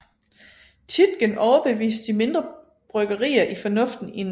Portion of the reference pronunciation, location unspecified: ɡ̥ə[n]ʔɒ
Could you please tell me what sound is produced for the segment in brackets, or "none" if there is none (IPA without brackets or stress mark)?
n